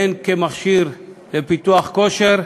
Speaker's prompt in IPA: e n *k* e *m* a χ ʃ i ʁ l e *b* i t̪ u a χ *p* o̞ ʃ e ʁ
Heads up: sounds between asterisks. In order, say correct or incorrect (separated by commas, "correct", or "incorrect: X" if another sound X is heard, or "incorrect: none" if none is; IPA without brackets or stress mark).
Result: correct, correct, incorrect: p, incorrect: k